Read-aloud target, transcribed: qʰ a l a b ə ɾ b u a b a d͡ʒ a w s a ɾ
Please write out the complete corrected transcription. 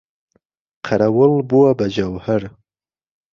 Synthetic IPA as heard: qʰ a ɾ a w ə l b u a b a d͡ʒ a w h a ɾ

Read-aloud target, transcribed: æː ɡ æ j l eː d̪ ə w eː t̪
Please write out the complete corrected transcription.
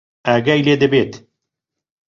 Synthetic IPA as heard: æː ɡ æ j l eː d̪ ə b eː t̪

